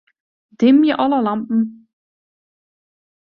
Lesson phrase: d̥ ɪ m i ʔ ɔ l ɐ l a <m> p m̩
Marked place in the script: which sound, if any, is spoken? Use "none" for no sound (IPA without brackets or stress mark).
m